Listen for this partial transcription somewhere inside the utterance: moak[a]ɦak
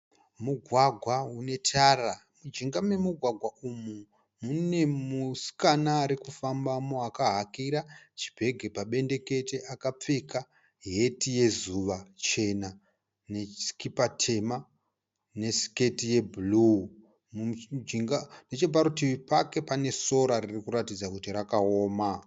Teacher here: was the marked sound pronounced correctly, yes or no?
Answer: yes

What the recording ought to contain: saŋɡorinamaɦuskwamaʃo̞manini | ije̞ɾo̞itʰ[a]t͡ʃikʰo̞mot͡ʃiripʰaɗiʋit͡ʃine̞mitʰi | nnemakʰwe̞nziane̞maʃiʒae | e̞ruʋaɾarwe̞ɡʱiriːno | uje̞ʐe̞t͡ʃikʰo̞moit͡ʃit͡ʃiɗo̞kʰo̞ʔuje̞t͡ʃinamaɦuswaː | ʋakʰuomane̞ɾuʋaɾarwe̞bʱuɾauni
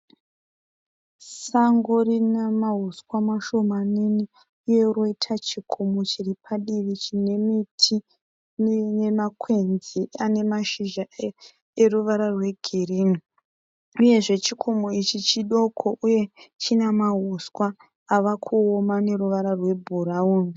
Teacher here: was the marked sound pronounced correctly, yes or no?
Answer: yes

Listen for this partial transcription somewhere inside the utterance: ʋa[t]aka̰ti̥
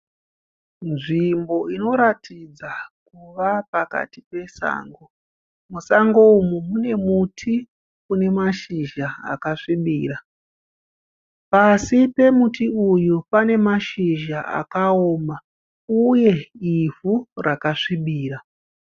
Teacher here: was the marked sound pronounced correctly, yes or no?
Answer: no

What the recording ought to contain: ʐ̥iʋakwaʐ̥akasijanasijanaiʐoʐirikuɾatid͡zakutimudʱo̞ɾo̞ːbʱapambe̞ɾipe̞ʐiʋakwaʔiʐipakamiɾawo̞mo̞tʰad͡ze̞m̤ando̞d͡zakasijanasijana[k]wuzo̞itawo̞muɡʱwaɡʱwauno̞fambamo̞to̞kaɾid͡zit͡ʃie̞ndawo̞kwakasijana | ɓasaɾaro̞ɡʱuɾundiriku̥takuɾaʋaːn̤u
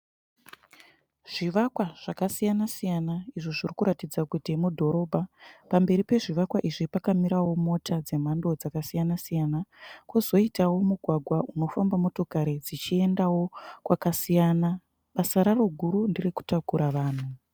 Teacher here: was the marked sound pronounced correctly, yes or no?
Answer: yes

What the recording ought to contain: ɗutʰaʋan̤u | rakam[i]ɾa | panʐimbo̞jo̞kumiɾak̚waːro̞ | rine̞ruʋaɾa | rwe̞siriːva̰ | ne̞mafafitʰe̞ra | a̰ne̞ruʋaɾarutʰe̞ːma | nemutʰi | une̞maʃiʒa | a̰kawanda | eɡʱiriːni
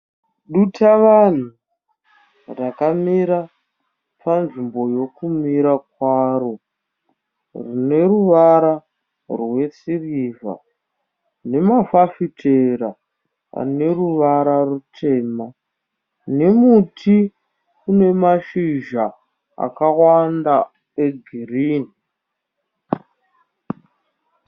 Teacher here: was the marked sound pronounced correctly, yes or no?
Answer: yes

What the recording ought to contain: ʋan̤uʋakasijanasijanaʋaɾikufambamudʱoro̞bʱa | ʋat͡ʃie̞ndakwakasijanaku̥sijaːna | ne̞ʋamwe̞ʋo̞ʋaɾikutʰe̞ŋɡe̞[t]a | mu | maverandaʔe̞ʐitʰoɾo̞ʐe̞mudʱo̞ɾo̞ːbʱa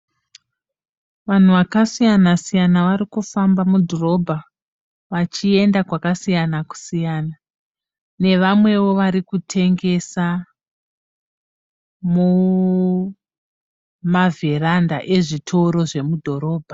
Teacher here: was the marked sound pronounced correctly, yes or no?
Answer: no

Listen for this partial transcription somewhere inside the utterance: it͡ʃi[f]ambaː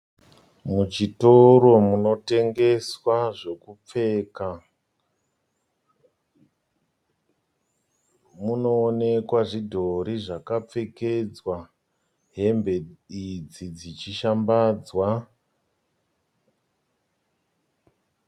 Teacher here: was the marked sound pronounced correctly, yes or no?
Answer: no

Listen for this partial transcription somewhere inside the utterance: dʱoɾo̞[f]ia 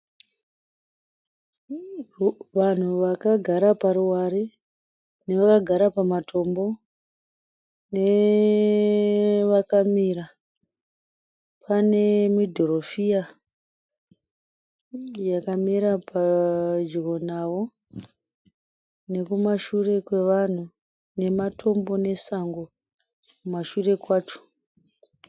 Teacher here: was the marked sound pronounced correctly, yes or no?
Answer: yes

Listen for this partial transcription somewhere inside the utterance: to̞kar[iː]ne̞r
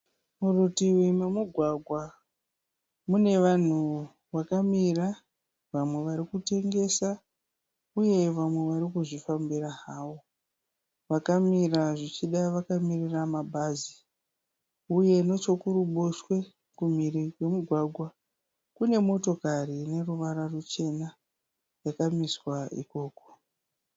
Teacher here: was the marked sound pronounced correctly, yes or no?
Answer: no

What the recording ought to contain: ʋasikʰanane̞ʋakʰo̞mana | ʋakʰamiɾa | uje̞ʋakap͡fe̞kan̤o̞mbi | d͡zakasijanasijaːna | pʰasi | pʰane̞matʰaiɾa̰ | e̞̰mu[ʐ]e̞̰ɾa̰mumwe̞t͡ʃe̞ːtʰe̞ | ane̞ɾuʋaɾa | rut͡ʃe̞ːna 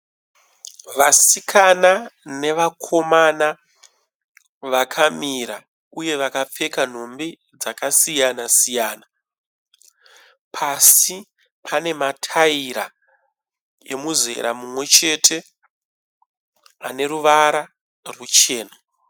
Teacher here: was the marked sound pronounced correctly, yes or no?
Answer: no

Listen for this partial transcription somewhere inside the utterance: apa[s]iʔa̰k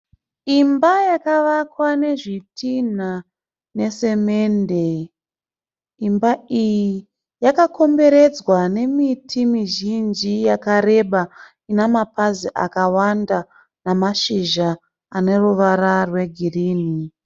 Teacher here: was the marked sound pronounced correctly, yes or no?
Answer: no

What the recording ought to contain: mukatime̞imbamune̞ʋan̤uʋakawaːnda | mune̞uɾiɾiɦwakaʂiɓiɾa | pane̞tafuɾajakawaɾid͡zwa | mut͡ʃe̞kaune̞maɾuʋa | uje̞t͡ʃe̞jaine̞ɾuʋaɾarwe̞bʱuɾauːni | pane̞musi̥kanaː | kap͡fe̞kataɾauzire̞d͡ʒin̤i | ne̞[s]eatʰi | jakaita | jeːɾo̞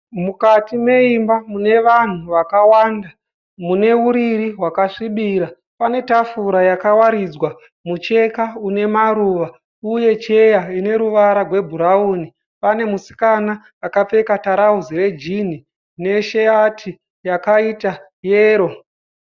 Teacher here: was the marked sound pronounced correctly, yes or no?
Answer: no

